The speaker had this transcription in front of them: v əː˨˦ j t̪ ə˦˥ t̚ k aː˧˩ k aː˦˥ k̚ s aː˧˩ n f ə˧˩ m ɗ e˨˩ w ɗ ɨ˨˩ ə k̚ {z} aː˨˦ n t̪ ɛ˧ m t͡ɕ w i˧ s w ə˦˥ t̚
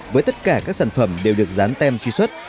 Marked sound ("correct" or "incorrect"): correct